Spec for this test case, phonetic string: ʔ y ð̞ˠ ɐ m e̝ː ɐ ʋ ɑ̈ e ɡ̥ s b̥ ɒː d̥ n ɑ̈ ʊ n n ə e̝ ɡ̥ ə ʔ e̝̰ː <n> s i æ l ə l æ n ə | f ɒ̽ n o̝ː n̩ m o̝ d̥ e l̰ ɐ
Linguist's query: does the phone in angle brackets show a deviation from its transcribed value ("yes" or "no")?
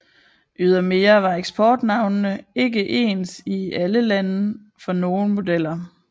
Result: no